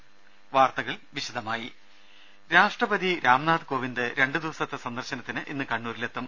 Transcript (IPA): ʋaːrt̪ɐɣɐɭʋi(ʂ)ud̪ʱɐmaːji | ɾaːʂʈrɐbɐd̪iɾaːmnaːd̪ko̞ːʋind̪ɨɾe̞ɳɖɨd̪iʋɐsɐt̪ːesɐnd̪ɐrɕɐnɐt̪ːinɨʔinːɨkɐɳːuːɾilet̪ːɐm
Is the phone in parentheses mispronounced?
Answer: yes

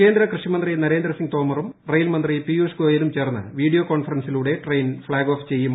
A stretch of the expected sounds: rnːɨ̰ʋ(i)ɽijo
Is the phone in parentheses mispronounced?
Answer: yes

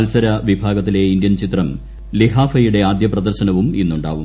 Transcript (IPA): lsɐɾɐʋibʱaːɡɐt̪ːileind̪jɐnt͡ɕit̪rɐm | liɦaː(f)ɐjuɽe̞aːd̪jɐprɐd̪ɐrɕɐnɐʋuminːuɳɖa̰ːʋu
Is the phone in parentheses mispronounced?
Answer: no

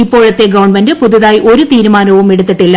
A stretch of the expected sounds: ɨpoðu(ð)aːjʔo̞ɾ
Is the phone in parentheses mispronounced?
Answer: no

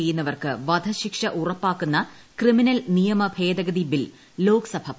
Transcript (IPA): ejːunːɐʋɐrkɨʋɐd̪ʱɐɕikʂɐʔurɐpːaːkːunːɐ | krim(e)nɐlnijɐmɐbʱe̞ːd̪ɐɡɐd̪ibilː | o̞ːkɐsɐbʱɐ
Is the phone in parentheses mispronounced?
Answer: yes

